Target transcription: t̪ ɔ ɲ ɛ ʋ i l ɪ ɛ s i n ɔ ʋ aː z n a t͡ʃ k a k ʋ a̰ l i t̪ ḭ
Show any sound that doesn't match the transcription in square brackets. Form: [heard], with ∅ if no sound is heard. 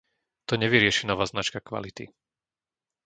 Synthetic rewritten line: t̪ ɔ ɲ ɛ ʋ i [ɾ] ɪ ɛ [ʃ] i n ɔ ʋ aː z n a t͡ʃ k a k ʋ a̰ l i t̪ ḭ